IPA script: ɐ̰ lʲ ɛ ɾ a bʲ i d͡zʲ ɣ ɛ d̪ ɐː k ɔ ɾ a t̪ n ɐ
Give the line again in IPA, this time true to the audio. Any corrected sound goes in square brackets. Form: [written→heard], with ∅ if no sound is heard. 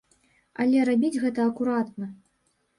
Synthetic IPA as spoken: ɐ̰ lʲ ɛ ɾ a bʲ i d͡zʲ ɣ ɛ [d̪→t̪] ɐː k [ɔ→u] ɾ a t̪ n ɐ